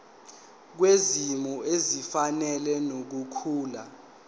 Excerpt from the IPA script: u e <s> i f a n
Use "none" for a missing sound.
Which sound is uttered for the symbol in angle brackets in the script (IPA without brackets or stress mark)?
z